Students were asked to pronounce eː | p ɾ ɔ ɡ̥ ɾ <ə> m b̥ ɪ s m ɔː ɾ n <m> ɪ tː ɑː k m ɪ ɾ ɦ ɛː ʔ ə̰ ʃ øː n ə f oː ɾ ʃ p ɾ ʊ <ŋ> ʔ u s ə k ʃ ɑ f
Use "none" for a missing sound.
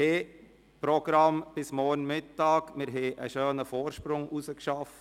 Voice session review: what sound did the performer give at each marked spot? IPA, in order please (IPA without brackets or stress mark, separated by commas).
ɑ, m, ŋ